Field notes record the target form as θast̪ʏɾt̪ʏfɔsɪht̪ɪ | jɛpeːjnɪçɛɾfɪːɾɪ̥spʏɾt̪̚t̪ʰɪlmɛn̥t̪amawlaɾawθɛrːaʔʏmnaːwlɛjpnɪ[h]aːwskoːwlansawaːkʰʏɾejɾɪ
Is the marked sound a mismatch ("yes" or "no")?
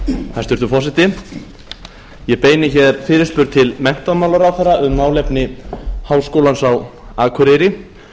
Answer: no